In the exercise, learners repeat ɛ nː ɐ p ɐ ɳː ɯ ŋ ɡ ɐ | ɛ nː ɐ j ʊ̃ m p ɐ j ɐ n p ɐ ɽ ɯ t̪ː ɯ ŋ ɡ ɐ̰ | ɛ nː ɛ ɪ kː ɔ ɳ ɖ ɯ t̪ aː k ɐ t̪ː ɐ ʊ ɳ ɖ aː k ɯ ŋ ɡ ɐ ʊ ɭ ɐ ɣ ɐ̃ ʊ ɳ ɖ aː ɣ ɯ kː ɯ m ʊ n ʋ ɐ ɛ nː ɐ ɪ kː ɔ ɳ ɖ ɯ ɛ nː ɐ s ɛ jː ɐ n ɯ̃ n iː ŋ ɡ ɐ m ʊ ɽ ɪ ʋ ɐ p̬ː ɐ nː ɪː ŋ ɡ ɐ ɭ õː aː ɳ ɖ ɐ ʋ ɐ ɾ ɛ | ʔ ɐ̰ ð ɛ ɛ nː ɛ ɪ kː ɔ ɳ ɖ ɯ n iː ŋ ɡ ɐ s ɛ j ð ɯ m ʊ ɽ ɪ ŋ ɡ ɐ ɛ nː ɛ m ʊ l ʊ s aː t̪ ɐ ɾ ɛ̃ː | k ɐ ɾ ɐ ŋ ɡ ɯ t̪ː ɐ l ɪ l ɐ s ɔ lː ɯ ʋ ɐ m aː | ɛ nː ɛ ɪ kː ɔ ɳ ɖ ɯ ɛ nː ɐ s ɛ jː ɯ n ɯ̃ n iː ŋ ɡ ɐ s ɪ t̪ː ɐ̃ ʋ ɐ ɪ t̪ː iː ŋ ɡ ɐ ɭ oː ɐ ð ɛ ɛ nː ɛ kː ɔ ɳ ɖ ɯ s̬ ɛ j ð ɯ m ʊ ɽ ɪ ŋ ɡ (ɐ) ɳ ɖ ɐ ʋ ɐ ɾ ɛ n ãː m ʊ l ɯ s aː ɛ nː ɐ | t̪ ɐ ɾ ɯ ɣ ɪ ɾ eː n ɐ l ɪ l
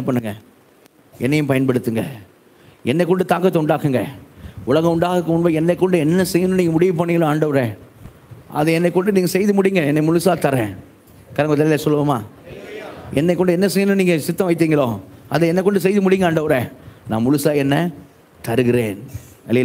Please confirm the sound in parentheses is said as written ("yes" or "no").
no